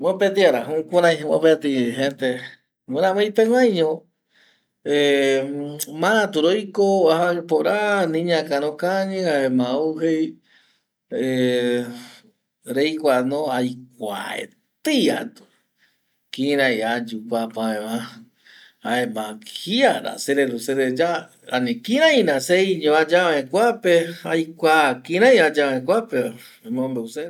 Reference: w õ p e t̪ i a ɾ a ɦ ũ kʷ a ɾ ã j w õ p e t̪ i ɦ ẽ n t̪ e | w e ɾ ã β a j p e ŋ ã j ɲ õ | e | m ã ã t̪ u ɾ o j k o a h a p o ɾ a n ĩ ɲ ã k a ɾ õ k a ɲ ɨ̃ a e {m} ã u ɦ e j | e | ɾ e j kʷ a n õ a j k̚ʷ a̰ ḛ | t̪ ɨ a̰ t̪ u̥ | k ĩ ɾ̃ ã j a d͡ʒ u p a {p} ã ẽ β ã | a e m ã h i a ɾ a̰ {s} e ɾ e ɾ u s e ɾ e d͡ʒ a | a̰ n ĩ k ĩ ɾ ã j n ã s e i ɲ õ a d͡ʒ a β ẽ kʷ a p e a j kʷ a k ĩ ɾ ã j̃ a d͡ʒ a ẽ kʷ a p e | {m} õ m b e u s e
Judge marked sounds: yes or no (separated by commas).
yes, yes, yes, yes